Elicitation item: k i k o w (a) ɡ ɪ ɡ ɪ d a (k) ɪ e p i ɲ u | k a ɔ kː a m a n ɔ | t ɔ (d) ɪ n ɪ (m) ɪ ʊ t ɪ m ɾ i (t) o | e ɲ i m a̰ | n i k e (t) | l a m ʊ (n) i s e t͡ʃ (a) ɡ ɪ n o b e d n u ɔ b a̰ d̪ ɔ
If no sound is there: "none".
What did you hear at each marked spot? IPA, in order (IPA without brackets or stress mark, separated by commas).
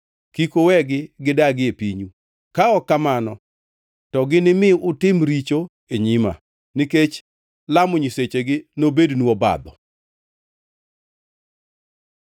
ɛ, ɡ, ɡ, m, t͡ʃ, t͡ʃ, ɲ, e